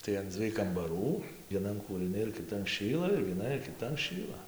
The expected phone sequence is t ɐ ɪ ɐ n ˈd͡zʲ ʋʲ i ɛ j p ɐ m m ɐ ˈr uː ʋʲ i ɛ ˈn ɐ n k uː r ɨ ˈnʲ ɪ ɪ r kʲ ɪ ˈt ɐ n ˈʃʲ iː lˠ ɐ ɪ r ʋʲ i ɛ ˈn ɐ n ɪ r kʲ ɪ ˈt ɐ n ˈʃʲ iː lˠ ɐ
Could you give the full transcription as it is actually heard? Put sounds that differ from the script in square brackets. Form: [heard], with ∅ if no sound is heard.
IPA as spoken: t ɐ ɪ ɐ n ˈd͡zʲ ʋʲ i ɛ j [k] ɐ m [b] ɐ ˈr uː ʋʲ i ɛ ˈn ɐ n k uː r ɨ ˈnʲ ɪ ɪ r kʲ ɪ ˈt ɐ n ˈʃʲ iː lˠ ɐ ɪ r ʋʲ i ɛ ˈn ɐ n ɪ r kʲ ɪ ˈt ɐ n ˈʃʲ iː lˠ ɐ